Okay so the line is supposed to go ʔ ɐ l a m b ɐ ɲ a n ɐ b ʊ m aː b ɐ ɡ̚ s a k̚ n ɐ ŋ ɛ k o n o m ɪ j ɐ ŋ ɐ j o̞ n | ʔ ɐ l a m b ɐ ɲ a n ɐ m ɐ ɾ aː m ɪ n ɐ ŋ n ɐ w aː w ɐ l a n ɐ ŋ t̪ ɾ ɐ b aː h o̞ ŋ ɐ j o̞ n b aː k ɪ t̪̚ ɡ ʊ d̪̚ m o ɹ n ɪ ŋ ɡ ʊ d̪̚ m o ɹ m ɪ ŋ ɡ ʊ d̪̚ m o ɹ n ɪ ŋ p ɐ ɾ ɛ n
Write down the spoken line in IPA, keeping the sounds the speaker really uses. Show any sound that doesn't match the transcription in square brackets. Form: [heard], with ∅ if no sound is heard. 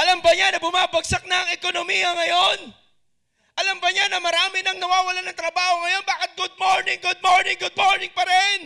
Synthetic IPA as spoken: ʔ ɐ l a m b ɐ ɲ a n ɐ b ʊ m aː b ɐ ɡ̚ s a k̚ n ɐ ŋ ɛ k o n o m [i] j ɐ ŋ ɐ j o̞ n | ʔ ɐ l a m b ɐ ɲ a n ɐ m ɐ ɾ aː m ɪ n ɐ ŋ n ɐ w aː w ɐ l a n ɐ ŋ t̪ ɾ ɐ b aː h o̞ ŋ ɐ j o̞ n b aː k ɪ t̪̚ ɡ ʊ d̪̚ m o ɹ n ɪ ŋ ɡ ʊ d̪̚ m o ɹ [n] ɪ ŋ ɡ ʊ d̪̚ m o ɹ n ɪ ŋ p ɐ ɾ ɛ n